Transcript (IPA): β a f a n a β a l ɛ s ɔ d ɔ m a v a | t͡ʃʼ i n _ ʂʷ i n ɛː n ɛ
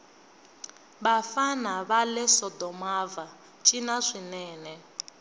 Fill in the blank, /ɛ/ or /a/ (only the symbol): a